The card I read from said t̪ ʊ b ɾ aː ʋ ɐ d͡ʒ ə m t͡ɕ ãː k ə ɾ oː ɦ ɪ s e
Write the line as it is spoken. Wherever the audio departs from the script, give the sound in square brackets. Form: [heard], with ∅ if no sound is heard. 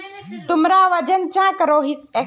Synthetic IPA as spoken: t̪ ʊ [m] ɾ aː ʋ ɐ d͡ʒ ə [n] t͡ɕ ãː k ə ɾ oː ɦ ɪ s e